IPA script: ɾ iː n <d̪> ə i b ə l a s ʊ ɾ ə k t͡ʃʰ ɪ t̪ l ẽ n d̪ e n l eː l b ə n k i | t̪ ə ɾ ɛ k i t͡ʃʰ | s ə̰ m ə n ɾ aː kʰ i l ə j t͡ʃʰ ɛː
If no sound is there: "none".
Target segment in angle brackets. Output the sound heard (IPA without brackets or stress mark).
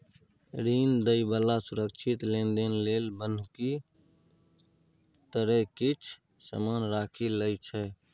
d̪